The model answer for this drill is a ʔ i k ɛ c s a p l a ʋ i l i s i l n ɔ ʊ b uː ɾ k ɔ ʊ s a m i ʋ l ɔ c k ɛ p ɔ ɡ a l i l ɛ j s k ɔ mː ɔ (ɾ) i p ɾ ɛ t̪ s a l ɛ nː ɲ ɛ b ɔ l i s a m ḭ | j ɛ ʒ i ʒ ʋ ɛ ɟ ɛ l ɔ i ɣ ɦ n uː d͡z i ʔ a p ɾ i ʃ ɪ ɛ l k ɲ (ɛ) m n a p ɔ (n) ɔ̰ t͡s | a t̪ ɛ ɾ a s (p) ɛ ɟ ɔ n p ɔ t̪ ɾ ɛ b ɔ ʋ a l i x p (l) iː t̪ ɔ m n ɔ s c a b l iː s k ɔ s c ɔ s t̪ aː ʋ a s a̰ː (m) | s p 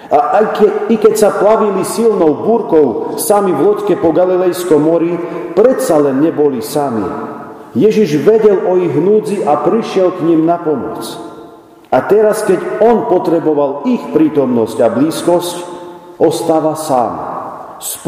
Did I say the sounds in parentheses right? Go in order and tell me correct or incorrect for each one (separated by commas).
correct, incorrect, incorrect, incorrect, incorrect, correct